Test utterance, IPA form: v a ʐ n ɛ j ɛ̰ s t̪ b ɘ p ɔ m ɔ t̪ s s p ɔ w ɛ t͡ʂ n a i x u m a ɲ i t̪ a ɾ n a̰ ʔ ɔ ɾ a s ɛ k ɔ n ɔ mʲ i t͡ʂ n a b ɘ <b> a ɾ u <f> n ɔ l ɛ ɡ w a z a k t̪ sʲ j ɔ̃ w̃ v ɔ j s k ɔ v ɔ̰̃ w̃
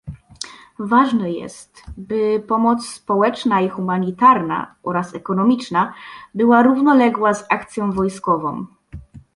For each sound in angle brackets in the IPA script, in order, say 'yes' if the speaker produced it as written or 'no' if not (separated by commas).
no, no